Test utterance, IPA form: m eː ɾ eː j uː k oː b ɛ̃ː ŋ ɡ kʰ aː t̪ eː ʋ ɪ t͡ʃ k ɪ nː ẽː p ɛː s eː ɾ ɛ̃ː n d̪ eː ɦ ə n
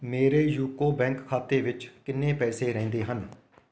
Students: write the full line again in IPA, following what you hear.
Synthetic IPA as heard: m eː ɾ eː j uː k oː b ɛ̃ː ŋ k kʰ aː t̪ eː ʋ ɪ t͡ʃ k ɪ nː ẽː p ɛː s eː ɾ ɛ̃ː n d̪ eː ɦ ə n